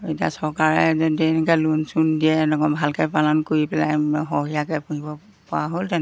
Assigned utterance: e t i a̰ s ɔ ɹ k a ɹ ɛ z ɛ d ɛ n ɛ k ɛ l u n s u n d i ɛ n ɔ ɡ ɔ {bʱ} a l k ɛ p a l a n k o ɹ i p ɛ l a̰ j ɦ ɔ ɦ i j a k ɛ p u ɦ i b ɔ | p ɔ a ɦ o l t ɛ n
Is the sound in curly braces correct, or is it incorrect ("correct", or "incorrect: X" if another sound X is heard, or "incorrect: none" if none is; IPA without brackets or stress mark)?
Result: correct